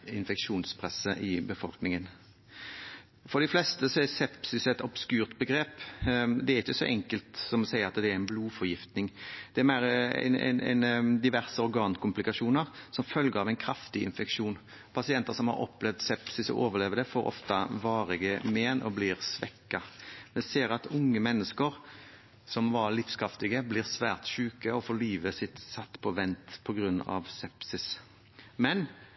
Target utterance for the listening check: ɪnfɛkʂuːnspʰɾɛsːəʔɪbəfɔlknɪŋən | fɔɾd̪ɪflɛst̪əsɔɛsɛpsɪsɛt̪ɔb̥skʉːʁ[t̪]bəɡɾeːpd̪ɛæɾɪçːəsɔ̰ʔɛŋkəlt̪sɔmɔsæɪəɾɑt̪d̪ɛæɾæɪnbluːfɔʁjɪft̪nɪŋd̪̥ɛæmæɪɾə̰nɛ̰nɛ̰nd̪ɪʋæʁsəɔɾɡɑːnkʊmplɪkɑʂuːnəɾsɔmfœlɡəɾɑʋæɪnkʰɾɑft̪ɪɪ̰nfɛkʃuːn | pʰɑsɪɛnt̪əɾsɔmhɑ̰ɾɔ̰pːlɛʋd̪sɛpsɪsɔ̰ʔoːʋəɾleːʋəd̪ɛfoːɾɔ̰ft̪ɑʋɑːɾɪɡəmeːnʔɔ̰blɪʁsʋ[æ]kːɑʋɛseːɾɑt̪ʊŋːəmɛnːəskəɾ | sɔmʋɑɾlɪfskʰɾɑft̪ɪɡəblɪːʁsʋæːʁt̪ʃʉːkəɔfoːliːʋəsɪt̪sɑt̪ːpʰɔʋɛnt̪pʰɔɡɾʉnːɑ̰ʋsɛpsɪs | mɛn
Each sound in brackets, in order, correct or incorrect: correct, incorrect

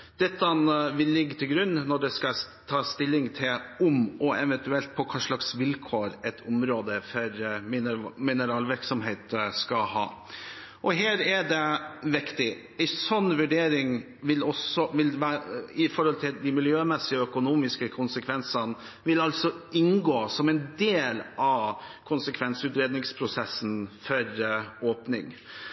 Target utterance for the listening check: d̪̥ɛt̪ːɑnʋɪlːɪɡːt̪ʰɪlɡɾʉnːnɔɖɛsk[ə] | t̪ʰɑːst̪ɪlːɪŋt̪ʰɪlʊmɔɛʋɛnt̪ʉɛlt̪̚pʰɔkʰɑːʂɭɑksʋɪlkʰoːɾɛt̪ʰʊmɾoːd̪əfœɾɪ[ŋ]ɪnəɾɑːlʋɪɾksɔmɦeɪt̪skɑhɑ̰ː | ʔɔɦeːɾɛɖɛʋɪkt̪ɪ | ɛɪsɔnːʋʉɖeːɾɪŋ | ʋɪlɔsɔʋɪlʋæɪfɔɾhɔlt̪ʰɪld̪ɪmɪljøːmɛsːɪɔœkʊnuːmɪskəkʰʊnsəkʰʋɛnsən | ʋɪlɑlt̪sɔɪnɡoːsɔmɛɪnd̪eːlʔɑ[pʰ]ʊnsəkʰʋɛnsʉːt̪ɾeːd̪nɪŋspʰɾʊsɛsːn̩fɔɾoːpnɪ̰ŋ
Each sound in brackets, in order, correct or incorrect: incorrect, incorrect, incorrect

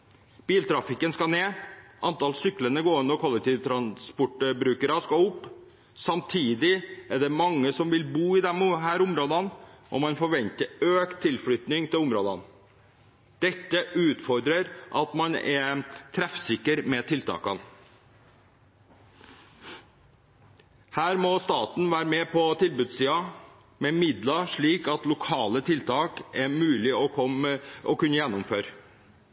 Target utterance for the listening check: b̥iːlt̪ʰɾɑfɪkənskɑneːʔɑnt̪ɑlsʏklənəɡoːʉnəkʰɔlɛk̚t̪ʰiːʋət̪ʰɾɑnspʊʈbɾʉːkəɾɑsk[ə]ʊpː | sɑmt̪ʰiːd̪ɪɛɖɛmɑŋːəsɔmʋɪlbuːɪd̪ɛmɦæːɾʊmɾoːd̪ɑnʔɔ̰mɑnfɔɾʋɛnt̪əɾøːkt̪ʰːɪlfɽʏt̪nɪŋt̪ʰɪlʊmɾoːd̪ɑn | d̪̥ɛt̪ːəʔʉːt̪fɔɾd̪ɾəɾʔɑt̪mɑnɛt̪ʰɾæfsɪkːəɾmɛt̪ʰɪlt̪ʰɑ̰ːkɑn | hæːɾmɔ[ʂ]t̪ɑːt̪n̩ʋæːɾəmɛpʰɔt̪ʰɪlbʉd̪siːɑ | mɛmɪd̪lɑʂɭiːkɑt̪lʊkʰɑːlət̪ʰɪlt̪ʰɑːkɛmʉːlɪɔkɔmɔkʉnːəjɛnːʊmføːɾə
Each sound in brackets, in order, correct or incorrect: incorrect, incorrect

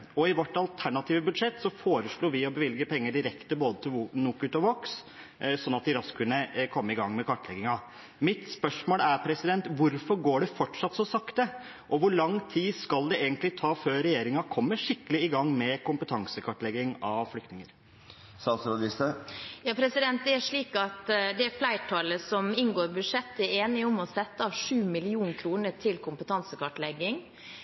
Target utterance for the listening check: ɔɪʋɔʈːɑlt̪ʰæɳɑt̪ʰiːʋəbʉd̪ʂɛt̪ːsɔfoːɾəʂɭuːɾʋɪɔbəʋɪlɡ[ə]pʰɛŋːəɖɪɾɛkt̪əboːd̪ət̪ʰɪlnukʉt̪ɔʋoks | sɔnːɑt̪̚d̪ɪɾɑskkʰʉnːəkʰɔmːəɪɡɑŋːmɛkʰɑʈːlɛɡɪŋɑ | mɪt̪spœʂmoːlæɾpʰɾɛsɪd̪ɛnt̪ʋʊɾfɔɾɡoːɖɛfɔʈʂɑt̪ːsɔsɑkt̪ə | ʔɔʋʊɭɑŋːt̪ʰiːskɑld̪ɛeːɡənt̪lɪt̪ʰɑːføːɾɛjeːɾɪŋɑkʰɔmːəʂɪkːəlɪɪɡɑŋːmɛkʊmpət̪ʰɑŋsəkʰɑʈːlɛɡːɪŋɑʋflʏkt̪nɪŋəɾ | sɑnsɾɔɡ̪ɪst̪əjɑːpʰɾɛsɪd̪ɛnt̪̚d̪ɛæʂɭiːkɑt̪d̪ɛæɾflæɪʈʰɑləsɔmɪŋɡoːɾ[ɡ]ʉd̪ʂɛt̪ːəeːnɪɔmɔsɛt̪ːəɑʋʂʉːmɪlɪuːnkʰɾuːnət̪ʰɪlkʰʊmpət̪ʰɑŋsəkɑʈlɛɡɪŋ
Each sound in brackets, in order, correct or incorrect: correct, incorrect

